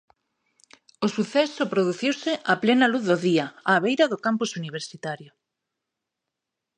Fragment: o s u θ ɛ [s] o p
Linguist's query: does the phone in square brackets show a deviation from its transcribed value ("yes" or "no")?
no